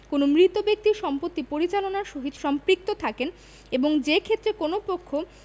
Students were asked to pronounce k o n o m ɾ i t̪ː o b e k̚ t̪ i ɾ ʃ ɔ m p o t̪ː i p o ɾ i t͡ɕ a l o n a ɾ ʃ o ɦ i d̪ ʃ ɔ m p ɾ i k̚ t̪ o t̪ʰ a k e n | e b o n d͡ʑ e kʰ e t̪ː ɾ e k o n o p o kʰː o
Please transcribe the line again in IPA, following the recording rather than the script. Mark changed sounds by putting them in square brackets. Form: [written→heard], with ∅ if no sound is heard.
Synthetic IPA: k o n o m ɾ i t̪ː o b e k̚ t̪ i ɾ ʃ ɔ m p o t̪ː i p o ɾ i t͡ɕ a l o n a ɾ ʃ o ɦ i d̪ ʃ ɔ m p ɾ i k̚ t̪ o t̪ʰ a k e n | e b o [n→ŋ] d͡ʑ e kʰ e t̪ː ɾ e k o n o p o kʰː o